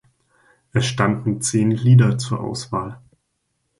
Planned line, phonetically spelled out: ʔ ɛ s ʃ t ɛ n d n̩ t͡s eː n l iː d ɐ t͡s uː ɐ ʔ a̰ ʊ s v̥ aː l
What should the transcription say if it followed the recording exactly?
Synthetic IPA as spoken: ʔ ɛ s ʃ t a n d n̩ t͡s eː n l iː d ɐ t͡s uː ɐ ʔ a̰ ʊ s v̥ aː l